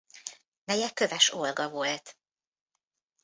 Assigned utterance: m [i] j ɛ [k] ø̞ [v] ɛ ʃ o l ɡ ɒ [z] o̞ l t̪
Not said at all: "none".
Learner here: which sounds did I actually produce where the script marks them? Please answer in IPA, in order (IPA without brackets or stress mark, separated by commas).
ɛ, k, v, v